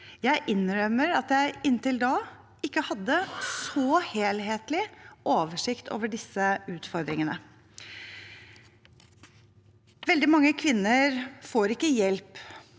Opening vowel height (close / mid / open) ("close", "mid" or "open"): open